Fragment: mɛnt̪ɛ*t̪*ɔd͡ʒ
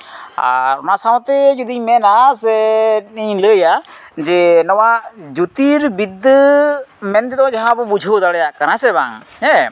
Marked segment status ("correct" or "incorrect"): incorrect